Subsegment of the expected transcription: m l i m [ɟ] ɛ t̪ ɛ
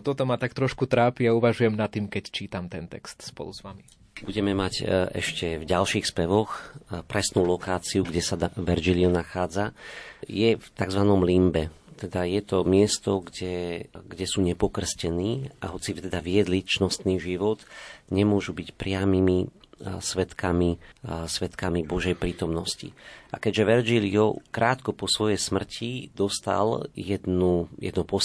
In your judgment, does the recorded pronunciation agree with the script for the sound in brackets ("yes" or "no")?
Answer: no